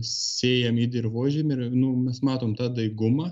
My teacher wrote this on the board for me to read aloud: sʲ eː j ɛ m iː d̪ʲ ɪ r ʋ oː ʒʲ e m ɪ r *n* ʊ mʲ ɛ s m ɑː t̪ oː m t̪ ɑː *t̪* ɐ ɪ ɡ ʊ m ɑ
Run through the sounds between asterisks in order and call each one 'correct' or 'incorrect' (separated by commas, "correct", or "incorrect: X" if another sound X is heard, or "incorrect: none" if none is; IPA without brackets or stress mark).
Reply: correct, incorrect: d̪